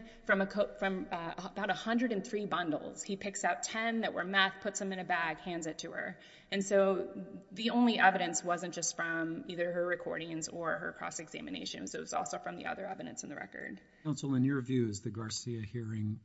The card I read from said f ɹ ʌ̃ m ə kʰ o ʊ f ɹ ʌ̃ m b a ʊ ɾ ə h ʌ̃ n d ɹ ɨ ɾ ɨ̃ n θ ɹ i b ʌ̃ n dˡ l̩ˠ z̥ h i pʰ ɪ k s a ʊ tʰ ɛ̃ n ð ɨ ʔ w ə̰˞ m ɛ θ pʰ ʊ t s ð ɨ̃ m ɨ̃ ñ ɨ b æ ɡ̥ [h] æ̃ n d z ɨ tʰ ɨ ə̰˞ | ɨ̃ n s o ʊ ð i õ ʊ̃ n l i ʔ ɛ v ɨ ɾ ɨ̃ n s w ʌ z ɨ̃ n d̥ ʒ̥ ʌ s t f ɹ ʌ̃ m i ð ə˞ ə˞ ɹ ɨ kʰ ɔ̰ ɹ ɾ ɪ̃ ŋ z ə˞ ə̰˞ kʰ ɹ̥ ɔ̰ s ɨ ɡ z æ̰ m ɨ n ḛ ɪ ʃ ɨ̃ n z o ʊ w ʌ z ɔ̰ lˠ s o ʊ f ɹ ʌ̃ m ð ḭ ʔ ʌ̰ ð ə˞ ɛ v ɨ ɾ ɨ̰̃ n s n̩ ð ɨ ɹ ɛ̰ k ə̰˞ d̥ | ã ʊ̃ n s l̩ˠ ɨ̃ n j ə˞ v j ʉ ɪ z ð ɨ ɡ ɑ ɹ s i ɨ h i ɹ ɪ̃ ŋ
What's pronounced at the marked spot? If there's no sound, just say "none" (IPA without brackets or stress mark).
h